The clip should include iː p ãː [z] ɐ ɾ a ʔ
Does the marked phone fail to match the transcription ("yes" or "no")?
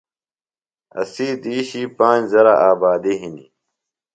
no